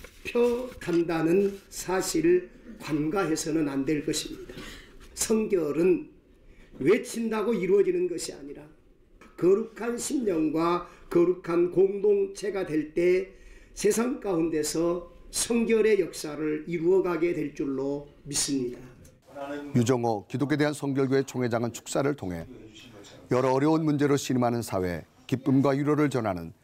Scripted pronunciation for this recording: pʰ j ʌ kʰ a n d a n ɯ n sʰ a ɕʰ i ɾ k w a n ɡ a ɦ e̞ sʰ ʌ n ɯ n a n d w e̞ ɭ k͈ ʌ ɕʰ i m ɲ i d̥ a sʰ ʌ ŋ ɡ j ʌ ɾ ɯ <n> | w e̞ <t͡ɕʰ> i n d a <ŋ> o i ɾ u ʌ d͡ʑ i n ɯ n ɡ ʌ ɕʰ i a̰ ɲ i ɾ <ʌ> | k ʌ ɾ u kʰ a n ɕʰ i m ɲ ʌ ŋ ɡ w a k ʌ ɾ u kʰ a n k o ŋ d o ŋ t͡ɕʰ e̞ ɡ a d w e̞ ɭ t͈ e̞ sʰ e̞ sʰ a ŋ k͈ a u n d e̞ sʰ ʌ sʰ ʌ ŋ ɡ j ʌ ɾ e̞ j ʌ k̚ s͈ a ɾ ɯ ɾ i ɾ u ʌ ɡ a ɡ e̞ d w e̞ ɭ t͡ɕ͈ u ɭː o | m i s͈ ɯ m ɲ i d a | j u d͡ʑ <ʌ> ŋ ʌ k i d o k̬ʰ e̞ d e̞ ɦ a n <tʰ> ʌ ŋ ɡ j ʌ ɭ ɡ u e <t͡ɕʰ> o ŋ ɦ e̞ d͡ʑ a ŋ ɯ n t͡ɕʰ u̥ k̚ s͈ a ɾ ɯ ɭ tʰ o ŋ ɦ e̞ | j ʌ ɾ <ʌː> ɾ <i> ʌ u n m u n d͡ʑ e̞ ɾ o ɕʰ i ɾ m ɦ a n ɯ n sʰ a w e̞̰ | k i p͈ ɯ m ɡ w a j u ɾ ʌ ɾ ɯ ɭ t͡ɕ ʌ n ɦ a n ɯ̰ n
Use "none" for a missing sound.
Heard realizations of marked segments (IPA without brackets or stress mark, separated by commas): n, t͡ɕʰ, ɡ, a, ʌ, sʰ, t͡ɕʰ, ʌː, j